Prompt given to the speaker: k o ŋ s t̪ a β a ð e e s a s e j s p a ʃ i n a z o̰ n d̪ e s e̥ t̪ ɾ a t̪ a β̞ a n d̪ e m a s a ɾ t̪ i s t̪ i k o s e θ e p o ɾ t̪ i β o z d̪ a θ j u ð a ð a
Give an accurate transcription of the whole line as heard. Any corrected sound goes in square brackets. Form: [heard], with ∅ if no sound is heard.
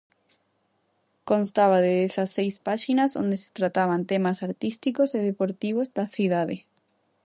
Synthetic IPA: k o [n] s t̪ a β a ð e e s a s e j s p a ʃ i n a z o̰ n d̪ e s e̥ t̪ ɾ a t̪ a β̞ a n [t̪] e m a s a ɾ t̪ i s t̪ i k o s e [ð] e p o ɾ t̪ i β o z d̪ a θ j u ð a ð [e]